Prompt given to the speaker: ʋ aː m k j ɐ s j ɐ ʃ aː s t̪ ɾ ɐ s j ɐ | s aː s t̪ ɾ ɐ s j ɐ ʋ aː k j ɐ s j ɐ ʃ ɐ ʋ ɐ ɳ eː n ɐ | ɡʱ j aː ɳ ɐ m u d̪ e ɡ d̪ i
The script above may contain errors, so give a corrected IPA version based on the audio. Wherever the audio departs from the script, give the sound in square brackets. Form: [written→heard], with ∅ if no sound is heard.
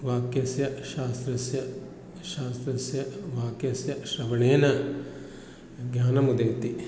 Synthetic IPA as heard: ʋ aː [m→∅] k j ɐ s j ɐ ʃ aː s t̪ ɾ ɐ s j ɐ | [s→ʃ] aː s t̪ ɾ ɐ s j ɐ ʋ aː k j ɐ s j ɐ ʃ ɐ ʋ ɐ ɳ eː n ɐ | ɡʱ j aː [ɳ→n] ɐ m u d̪ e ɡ [d̪→t̪] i